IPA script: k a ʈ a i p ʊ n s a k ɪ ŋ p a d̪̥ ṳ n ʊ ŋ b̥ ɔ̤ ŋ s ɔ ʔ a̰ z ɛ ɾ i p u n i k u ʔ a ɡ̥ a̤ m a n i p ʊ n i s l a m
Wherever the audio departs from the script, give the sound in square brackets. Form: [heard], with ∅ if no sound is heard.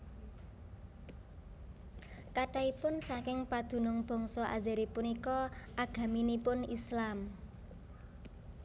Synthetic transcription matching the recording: k a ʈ a i p ʊ n s a k ɪ ŋ p a d̪̥ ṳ n ʊ ŋ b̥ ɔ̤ ŋ s ɔ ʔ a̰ z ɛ ɾ i p u n i k [ɔ] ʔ a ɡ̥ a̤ m [i] n i p ʊ n i s l a m